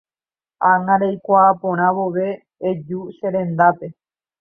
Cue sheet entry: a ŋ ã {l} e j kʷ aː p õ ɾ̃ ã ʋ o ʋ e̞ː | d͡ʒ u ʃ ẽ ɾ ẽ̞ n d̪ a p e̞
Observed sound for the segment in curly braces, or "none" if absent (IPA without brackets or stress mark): ɾ